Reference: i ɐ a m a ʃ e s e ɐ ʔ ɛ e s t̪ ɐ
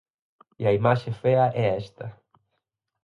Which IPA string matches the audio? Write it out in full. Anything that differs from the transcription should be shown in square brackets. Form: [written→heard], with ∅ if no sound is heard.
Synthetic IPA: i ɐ [a→i] m a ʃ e [s→f] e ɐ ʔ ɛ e s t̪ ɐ